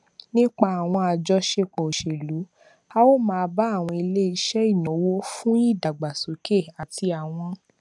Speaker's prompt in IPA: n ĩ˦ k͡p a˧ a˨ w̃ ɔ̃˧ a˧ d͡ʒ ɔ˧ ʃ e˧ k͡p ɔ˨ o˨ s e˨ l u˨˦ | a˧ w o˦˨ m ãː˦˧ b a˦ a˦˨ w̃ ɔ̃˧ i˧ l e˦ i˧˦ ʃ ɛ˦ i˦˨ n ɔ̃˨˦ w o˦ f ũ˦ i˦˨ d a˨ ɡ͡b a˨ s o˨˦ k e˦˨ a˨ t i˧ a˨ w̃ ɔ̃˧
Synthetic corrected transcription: n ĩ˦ k͡p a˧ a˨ w̃ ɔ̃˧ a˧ d͡ʒ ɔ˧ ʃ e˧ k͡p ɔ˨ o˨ ʃ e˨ l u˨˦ | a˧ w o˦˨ m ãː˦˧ b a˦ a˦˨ w̃ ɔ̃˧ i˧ l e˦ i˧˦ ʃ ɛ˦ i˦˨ n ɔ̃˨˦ w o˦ f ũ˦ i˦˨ d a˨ ɡ͡b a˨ s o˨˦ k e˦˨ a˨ t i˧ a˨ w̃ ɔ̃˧